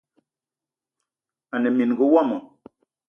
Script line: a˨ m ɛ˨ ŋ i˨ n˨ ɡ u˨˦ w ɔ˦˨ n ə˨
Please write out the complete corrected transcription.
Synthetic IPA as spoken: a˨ n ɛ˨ m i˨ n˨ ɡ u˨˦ w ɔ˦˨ m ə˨